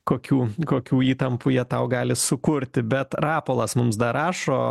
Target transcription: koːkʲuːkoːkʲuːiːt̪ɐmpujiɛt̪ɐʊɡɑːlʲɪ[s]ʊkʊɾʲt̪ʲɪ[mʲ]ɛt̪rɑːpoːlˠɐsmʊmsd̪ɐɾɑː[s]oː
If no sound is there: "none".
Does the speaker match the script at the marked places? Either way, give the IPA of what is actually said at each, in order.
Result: s, bʲ, ʃ

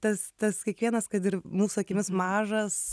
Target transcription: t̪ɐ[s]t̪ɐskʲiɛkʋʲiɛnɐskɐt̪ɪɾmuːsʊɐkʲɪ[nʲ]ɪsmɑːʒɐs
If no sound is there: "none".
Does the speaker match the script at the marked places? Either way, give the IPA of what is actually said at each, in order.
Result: s, mʲ

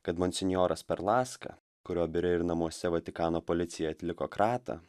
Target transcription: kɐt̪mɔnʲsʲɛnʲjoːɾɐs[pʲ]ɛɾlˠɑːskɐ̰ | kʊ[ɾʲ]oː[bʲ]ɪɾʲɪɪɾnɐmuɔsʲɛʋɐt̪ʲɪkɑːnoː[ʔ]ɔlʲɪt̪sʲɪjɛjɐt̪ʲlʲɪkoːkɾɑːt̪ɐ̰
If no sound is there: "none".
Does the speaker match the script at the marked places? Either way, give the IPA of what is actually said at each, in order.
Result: pʲ, ɾʲ, bʲ, p

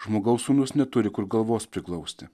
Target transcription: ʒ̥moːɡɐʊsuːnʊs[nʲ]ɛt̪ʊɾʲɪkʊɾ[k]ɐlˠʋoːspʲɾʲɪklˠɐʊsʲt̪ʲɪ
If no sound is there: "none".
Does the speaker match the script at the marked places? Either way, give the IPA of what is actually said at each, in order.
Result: nʲ, ɡ

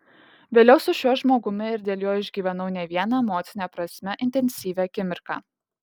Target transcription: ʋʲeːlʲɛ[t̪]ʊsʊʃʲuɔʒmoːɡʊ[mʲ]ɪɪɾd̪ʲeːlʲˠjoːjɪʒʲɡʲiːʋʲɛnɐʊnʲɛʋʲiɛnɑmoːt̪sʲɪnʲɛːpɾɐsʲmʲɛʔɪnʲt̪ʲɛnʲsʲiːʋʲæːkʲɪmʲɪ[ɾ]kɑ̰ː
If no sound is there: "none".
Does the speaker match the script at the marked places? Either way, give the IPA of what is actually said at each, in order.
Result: none, mʲ, ɾ

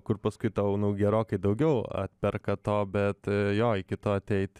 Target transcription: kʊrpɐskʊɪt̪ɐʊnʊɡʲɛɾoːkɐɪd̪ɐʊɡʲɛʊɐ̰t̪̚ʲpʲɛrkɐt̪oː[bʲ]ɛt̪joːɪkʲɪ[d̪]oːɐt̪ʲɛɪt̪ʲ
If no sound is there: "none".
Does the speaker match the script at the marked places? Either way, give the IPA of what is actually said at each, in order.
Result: bʲ, t̪

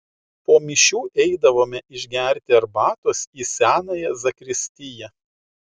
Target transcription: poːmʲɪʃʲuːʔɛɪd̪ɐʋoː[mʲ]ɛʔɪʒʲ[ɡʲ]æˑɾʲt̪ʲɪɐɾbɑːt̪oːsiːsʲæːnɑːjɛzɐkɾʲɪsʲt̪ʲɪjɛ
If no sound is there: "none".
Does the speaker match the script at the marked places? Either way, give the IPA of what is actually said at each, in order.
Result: mʲ, ɡʲ

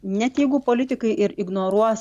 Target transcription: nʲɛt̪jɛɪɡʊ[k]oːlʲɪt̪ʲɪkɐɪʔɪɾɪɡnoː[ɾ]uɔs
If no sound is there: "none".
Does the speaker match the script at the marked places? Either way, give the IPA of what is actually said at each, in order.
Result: p, ɾ

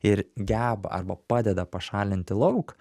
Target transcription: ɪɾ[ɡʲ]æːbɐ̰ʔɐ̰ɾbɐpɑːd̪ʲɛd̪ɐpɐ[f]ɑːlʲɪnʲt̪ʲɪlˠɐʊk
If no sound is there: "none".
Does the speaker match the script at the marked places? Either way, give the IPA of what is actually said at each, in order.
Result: ɡʲ, ʃ

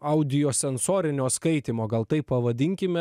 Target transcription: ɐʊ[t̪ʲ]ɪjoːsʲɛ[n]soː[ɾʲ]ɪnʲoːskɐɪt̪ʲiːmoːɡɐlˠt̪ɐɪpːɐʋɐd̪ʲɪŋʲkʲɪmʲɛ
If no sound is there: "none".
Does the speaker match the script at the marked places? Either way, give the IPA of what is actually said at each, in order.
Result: d̪ʲ, n, ɾʲ

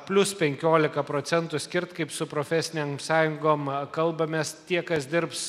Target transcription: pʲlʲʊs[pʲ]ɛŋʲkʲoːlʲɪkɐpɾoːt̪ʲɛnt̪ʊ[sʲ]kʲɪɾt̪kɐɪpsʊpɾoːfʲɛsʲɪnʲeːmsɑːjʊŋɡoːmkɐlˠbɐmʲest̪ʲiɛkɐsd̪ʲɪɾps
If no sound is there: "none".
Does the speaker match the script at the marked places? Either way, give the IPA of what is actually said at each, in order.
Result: pʲ, sʲ

